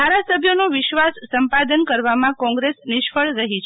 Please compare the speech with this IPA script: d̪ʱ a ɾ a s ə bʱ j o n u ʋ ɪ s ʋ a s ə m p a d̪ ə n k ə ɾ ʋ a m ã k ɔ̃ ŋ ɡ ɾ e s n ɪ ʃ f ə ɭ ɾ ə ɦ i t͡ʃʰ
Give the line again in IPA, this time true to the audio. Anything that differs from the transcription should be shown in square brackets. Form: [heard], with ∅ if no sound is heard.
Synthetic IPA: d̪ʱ a ɾ a s ə bʱ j o n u ʋ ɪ [ʃ] ʋ a [sː] ə m p a d̪ ə n k ə ɾ ʋ a m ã k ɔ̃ ŋ ɡ ɾ e s n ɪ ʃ f ə ɭ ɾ ə ɦ i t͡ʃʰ